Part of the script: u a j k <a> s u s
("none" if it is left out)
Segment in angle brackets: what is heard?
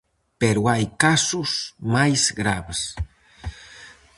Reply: a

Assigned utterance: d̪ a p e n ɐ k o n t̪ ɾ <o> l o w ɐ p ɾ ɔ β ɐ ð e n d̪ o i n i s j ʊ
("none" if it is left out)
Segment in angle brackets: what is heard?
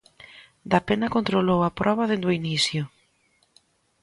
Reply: o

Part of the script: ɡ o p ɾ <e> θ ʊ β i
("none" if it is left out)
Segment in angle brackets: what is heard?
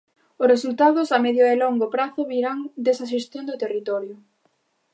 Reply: a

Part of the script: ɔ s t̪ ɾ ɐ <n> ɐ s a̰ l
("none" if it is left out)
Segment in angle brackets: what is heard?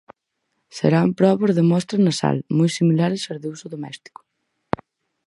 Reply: n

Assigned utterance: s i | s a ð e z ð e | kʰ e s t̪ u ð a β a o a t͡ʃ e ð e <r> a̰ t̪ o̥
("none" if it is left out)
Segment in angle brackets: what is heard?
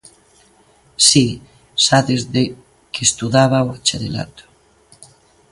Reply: l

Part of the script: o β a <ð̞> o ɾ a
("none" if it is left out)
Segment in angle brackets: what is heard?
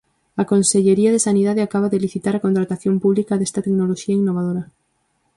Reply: ð̞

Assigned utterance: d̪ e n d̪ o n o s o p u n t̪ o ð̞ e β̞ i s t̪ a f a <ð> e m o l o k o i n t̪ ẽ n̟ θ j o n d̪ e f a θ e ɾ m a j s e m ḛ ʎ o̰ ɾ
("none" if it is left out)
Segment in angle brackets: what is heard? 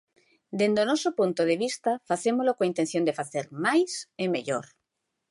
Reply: θ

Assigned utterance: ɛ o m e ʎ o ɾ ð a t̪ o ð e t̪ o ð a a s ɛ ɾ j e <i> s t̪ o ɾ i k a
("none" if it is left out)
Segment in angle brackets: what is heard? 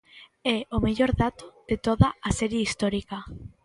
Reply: i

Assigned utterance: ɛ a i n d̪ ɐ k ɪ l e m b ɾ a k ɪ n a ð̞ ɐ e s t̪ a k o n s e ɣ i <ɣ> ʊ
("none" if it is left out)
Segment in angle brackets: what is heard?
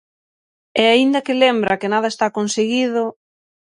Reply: ð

